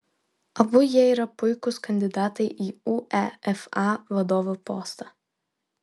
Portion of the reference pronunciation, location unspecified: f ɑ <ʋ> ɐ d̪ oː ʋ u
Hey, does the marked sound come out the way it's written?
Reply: yes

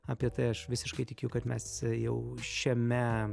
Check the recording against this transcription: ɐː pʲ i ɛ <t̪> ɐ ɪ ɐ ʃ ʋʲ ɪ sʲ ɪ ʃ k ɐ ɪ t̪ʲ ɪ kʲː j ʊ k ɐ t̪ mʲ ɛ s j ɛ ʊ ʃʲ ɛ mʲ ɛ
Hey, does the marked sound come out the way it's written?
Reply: yes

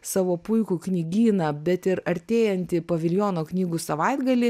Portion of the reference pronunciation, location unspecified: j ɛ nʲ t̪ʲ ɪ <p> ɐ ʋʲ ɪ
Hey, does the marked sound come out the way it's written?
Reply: yes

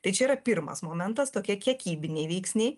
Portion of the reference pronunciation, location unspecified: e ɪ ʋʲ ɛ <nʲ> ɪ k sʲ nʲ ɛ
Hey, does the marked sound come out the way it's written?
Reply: no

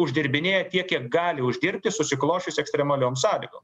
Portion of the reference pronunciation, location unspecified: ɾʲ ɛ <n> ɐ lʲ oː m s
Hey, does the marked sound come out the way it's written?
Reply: no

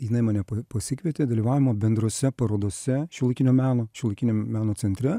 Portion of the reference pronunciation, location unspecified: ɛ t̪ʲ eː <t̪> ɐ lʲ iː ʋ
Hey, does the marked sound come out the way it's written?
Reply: no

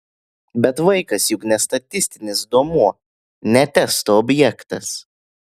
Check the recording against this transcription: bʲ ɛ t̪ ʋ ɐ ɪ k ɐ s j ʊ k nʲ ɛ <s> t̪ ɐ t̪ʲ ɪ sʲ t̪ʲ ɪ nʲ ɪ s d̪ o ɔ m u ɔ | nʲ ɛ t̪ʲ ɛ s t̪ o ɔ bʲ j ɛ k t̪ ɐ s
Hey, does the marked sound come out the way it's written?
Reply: yes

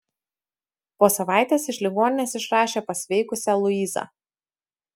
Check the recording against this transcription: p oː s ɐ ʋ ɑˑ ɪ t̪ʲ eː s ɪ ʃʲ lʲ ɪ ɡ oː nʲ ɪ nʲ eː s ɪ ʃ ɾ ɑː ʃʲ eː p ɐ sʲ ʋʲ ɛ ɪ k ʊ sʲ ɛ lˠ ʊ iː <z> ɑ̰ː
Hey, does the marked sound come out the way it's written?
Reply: yes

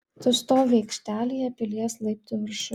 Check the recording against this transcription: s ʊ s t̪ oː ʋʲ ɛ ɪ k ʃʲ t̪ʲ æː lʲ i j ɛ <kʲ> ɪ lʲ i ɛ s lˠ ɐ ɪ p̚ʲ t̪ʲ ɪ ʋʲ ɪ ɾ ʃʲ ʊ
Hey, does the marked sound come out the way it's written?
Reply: no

